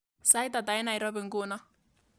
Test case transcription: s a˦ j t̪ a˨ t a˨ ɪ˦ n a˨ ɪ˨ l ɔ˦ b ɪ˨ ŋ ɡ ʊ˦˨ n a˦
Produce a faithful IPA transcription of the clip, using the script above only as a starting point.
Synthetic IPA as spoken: s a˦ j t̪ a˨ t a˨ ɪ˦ n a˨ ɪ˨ ɾ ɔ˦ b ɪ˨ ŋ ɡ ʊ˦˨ n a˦

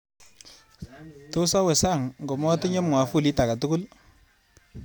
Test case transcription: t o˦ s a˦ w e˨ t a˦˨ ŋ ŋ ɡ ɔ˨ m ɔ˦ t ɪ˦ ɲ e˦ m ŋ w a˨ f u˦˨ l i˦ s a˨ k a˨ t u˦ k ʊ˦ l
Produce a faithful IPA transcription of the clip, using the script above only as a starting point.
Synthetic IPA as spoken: t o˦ s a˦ w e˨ s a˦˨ ŋ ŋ ɡ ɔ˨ m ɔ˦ t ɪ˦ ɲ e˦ m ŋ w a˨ f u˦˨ l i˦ t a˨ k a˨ t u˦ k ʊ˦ l

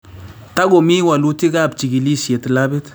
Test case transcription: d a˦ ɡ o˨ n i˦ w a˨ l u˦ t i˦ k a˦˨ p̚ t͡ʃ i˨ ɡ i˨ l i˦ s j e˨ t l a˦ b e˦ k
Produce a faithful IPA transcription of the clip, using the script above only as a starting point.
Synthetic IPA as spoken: t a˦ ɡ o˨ m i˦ w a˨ l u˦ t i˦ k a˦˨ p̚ t͡ʃ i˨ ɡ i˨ l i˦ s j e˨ t l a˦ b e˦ t

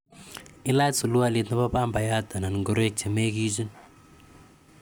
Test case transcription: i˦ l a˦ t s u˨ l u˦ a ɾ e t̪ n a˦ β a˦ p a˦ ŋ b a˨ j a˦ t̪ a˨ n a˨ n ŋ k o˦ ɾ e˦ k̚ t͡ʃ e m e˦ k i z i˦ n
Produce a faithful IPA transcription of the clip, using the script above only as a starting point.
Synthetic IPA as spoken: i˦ l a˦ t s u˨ l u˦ a l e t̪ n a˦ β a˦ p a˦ m b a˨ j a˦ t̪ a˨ n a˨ n ŋ ɡ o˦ ɾ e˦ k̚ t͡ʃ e m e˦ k i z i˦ n

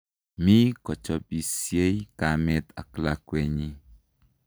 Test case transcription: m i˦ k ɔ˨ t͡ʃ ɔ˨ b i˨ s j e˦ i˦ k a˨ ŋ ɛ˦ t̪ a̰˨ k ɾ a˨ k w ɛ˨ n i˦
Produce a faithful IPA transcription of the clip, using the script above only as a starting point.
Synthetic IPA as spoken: m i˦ k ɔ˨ t͡ʃ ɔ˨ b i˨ s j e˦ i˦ k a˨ m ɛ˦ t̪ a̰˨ k l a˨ k w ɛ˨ ɲ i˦

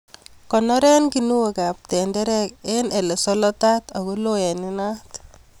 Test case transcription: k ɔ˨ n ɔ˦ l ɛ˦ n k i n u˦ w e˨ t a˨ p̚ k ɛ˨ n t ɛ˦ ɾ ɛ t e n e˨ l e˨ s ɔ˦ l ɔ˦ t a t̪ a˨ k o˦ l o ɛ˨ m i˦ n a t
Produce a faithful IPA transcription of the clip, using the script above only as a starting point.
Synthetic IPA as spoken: k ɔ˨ n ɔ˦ ɾ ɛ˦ n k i n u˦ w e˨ k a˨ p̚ t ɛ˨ n d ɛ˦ ɾ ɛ k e n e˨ l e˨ s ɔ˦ l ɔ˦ t a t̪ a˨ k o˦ l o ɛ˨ n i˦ n a t

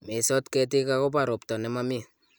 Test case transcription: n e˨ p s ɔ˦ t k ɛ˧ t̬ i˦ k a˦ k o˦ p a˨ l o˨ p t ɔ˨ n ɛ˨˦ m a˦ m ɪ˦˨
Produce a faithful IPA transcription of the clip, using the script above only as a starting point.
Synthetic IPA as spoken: m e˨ s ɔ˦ t k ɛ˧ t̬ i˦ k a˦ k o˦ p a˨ ɾ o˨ p t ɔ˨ n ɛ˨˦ m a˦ m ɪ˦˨

